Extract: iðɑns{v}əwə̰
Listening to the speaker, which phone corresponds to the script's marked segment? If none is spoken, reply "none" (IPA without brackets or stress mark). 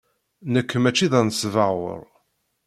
v